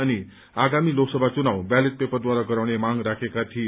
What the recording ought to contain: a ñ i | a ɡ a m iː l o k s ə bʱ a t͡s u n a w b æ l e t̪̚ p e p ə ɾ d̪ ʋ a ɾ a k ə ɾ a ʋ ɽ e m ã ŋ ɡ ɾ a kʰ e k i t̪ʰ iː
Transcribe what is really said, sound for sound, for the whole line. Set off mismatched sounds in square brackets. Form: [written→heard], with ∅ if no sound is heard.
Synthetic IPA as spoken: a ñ i | a ɡ a m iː l o k s ə bʱ a t͡s u n a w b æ l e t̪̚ p e p ə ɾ d̪ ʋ a ɾ a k ə ɾ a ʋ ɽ e m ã ŋ ɡ ɾ a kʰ e k [i→a] t̪ʰ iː